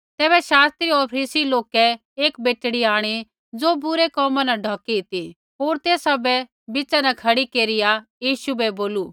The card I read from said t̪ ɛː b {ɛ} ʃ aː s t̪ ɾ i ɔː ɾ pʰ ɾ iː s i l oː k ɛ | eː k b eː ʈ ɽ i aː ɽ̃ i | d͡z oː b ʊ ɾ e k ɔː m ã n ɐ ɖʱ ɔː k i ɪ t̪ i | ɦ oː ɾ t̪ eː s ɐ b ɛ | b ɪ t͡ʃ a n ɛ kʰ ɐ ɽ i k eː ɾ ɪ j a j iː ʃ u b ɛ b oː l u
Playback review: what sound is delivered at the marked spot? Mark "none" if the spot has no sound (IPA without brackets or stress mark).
ɛ